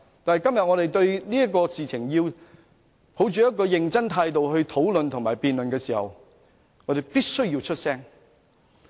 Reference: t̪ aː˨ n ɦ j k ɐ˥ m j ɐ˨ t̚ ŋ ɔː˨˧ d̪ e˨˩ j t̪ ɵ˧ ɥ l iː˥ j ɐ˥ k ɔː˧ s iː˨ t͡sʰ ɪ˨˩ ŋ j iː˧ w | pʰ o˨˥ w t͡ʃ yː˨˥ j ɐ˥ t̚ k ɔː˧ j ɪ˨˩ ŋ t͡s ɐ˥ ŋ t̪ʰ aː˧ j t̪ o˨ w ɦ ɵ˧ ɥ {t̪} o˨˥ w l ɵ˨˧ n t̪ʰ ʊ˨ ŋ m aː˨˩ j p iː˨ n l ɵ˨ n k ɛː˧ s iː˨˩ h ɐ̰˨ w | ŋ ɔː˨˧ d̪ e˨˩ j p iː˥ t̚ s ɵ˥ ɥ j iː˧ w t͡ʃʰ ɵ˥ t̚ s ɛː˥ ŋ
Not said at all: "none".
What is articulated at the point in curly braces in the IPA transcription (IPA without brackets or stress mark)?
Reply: t̪ʰ